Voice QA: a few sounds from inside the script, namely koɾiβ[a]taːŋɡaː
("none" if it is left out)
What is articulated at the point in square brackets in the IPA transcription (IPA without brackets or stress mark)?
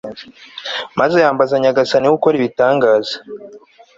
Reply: i